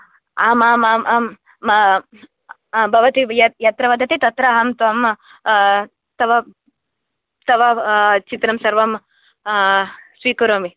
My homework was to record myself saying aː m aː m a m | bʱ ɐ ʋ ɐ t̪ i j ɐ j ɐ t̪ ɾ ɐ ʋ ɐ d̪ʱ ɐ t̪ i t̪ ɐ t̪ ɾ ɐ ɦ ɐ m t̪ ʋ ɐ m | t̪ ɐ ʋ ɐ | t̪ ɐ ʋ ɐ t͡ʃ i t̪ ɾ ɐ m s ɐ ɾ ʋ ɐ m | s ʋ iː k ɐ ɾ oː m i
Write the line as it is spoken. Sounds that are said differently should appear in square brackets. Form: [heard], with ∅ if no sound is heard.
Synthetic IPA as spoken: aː m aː m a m | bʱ ɐ ʋ ɐ t̪ i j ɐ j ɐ t̪ ɾ ɐ ʋ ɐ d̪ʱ ɐ t̪ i t̪ ɐ t̪ ɾ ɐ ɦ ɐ m t̪ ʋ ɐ m | t̪ ɐ ʋ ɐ | t̪ ɐ ʋ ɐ t͡ʃ i t̪ ɾ ɐ m s ɐ ɾ ʋ ɐ m | s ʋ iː k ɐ ɾ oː m i